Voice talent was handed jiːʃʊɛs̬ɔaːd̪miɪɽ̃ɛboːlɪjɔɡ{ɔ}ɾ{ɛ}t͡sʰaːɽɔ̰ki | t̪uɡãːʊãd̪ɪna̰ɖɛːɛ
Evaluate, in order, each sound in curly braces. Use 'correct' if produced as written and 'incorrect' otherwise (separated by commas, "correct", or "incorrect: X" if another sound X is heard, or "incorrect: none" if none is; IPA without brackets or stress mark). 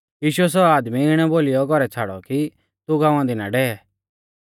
correct, correct